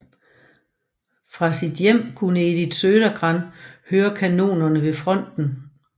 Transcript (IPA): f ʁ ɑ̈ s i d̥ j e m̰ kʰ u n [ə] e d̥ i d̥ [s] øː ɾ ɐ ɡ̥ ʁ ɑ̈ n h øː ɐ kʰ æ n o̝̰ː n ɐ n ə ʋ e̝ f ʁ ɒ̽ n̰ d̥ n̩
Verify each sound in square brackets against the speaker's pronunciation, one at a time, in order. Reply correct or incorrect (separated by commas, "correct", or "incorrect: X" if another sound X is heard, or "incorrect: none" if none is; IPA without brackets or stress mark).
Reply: correct, correct